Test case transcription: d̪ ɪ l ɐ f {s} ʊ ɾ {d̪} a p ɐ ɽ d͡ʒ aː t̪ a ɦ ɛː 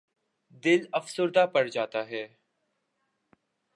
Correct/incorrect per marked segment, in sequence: correct, correct

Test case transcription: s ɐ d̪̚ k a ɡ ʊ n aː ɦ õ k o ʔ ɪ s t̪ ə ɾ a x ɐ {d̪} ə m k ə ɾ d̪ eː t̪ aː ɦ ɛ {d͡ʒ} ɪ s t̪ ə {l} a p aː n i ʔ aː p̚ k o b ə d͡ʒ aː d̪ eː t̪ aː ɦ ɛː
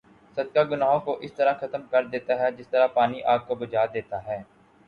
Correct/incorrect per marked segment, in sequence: incorrect, correct, incorrect

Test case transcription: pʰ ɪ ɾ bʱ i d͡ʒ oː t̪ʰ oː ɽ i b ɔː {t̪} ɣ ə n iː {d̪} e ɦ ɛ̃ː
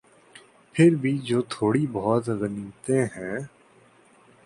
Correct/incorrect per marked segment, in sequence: correct, incorrect

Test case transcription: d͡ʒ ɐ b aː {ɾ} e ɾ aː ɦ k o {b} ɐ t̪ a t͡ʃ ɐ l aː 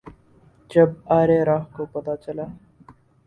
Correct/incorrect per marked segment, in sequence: correct, incorrect

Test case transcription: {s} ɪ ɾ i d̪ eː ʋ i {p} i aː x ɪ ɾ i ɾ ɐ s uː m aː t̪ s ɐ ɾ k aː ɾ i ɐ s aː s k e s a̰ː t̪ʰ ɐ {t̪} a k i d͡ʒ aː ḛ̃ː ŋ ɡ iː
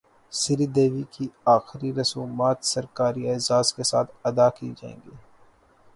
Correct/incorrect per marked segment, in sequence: correct, incorrect, incorrect

